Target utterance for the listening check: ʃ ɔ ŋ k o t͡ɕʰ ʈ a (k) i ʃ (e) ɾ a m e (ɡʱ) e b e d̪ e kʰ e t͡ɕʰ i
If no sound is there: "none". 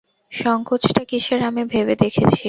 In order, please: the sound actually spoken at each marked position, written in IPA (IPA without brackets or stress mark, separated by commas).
k, e, bʱ